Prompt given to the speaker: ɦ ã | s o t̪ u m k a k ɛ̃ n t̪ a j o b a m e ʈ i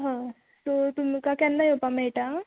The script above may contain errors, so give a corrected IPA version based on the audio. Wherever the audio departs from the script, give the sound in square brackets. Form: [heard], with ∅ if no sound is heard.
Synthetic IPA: ɦ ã | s o t̪ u m k a k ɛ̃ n [d̪] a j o [p] a m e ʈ [a]

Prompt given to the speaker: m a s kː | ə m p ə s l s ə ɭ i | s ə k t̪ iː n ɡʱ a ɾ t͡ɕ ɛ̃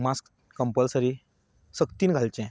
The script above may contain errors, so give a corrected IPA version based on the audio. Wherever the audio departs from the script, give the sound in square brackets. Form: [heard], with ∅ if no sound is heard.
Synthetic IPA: m a s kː | ə m p ə [∅] l s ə [ɾ] i | s ə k t̪ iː n ɡʱ a [l] t͡ɕ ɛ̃

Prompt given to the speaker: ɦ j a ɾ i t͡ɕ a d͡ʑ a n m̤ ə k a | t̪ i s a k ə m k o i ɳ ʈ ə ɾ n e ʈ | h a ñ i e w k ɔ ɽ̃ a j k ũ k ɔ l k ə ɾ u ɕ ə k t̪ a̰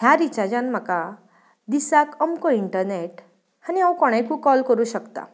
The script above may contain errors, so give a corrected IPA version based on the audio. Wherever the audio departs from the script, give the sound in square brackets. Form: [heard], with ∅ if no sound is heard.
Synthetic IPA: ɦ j a ɾ i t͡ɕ a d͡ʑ a n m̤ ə k a | [d̪] i s a k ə m k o i ɳ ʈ ə ɾ n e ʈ | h a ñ i [a] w k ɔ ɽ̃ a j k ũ k ɔ l k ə ɾ u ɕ ə k t̪ a̰

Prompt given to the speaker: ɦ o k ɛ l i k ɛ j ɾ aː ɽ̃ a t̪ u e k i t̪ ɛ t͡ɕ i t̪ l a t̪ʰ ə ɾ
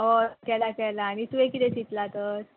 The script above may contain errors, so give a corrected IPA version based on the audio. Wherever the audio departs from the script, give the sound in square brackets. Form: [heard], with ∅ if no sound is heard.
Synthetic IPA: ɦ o k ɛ l [a] k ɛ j [l] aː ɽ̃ [i] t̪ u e k i t̪ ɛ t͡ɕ i t̪ l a [t̪] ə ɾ

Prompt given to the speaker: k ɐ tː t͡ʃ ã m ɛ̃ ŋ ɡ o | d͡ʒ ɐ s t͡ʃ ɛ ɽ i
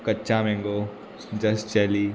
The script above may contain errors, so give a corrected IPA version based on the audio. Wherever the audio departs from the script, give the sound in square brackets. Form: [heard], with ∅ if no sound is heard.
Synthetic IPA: k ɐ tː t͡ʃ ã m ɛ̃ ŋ ɡ o | d͡ʒ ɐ s t͡ʃ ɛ [l] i

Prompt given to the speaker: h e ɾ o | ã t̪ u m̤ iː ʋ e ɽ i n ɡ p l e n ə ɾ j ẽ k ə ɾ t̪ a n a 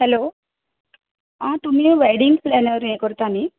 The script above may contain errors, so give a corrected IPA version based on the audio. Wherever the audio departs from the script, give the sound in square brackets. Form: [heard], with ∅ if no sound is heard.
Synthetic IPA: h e [l] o | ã t̪ u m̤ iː ʋ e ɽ i [ŋ] ɡ p l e n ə ɾ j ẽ k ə ɾ t̪ a n [i]

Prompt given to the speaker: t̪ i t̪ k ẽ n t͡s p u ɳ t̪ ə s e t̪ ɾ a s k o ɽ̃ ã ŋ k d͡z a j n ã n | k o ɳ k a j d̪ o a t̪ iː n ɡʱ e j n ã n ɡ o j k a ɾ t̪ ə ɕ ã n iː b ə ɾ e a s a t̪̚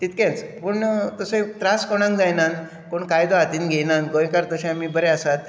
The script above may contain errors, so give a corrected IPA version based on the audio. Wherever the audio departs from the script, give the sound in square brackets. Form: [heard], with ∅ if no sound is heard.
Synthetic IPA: t̪ i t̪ k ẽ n t͡s p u ɳ t̪ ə s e t̪ ɾ a s k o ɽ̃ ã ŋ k d͡z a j n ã n | k o ɳ k a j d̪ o a t̪ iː n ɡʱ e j n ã n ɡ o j k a ɾ t̪ ə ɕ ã [m] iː b ə ɾ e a s a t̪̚

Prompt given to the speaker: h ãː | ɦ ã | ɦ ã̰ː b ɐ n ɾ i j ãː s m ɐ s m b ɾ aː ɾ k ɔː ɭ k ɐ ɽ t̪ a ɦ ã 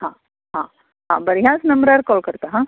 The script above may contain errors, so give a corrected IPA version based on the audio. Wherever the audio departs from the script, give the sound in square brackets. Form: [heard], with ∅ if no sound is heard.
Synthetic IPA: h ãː | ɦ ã | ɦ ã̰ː b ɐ [∅] ɾ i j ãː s [n] ɐ [∅] m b ɾ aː ɾ k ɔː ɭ k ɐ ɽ t̪ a ɦ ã

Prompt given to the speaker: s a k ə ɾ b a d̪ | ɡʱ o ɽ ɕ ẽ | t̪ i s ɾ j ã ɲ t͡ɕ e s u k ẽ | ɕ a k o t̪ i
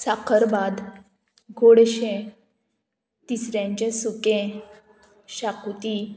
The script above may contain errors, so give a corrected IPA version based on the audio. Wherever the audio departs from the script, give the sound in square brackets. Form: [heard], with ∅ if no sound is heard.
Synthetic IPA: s a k ə ɾ b a d̪ | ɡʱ o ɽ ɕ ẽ | t̪ i s ɾ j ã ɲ t͡ɕ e s u k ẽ | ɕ a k [u] t̪ i

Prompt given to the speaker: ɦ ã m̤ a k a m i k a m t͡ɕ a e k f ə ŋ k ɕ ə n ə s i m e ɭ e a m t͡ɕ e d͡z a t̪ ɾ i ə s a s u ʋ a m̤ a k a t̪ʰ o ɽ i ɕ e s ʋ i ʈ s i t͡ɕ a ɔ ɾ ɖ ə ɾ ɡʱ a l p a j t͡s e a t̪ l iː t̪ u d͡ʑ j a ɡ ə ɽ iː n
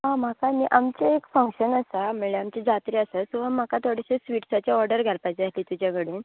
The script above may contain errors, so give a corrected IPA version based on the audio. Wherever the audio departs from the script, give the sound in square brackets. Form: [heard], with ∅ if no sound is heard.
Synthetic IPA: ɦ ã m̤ a k a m i [ʔ] a m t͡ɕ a e k f ə ŋ k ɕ ə n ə s [a] m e ɭ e a m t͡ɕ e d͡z a t̪ ɾ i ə s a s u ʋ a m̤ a k a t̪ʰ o ɽ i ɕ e s ʋ i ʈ s [a] t͡ɕ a ɔ ɾ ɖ ə ɾ ɡʱ a l p a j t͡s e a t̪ l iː t̪ u d͡ʑ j a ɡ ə ɽ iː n

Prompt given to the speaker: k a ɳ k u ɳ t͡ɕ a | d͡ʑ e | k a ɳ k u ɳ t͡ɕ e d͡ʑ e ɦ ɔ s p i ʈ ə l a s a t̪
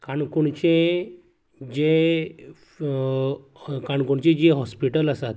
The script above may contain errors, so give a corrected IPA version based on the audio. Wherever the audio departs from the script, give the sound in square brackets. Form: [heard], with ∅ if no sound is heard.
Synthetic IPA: k a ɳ k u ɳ t͡ɕ [e] | d͡ʑ e | k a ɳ k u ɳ t͡ɕ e d͡ʑ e ɦ ɔ s p i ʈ ə l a s a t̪

